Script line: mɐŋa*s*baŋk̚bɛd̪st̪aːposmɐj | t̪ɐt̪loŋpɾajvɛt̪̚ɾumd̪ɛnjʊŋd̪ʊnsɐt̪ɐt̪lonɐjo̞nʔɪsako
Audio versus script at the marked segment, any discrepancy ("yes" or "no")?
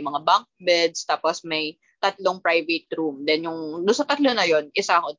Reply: yes